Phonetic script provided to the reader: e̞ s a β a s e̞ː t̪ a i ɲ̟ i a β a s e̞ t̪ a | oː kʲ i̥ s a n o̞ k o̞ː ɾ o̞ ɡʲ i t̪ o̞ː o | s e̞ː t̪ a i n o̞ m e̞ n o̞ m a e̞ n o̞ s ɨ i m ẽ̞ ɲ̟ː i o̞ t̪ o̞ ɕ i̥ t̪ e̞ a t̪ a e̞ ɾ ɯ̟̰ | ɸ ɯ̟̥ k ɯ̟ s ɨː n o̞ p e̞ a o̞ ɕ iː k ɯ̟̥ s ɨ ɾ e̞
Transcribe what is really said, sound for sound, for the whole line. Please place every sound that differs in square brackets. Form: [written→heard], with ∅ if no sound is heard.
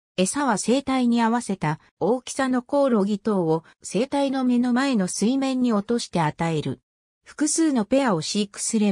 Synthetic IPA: e̞ s a β a s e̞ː t̪ a i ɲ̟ i a β a s e̞ t̪ a | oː kʲ i̥ s a n o̞ k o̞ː ɾ o̞ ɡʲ i t̪ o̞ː o | s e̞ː t̪ a i n o̞ m e̞ n o̞ m a e̞ n o̞ s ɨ i m ẽ̞ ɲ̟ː i o̞ t̪ o̞ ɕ i̥ t̪ e̞ a t̪ a e̞ ɾ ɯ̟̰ | ɸ ɯ̟̥ k ɯ̟ s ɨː n o̞ p e̞ a o̞ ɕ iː k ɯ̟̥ s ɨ ɾ e̞